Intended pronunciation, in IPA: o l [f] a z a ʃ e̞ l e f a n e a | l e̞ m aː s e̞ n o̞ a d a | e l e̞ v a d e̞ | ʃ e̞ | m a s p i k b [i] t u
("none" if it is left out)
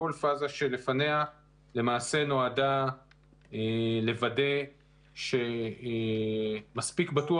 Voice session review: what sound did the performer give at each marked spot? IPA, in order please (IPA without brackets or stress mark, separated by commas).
f, a